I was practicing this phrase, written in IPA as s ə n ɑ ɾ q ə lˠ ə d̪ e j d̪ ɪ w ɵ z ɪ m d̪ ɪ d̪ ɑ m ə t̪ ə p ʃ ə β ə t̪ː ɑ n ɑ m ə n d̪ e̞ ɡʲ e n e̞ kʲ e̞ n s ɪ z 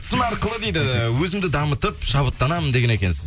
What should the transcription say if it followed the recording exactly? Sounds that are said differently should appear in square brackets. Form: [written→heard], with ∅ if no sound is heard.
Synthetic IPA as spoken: s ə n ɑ ɾ q ə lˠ ə d̪ e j d̪ ɪ w ɵ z ɪ m d̪ ɪ d̪ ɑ m ə t̪ ə p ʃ [ə→ɑ] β ə t̪ː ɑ n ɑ m ə n d̪ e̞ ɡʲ e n e̞ kʲ e̞ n s ɪ z